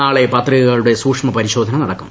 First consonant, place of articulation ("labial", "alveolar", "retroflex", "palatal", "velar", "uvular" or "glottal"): retroflex